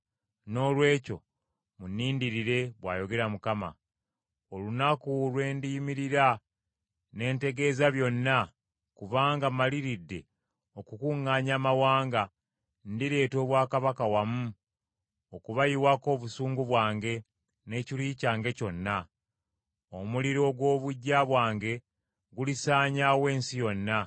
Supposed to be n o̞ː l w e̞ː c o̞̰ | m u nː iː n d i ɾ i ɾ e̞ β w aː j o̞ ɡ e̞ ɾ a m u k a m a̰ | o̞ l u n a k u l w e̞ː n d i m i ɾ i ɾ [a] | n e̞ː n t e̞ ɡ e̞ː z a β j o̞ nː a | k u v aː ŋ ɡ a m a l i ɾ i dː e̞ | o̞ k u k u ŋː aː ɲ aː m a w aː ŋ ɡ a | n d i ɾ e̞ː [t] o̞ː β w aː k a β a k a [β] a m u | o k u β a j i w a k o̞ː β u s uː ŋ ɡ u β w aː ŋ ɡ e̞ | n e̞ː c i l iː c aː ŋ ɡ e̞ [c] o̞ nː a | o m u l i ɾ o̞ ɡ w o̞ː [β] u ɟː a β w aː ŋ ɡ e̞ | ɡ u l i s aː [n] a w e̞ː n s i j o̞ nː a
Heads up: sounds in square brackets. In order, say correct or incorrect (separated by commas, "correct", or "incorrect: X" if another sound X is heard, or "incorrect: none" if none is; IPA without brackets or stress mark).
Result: correct, correct, incorrect: w, correct, correct, incorrect: ɲ